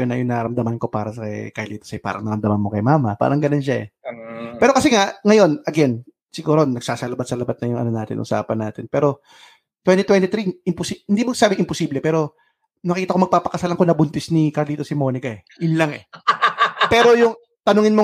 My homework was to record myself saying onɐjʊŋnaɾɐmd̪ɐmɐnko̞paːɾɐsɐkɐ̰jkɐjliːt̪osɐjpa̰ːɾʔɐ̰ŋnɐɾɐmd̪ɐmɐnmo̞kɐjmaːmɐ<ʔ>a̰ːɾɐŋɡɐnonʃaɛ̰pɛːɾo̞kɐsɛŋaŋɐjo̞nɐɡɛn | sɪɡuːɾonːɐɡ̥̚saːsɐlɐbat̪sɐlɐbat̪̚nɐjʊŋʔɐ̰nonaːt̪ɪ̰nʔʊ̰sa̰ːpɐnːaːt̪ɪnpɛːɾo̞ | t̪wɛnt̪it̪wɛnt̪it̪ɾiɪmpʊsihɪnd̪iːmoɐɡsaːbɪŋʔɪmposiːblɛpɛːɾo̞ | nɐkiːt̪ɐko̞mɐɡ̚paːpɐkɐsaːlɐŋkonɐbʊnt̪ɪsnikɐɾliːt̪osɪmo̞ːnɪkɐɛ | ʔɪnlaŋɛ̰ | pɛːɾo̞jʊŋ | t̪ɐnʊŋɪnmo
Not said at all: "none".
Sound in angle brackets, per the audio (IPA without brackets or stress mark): p